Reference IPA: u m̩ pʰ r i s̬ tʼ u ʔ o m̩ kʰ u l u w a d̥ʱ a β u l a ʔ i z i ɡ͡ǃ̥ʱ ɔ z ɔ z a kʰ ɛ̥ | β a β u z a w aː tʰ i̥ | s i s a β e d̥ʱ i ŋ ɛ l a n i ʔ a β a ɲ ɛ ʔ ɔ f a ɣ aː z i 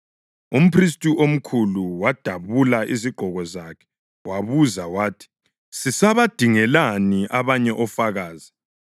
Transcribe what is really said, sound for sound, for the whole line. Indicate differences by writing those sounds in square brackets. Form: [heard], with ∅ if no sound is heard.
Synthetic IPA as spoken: u m̩ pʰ r i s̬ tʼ u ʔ o m̩ kʰ u l u w a d̥ʱ a β u l a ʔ i z i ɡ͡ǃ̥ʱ ɔ [ɣ] ɔ z a kʰ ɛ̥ | [w] a β u z a w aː tʰ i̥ | s i s a β [a] d̥ʱ i ŋ ɛ l a n i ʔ a β a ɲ ɛ ʔ ɔ f a ɣ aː z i